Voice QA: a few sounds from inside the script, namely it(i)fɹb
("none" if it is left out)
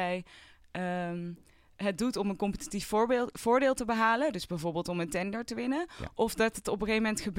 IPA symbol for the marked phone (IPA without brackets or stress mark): i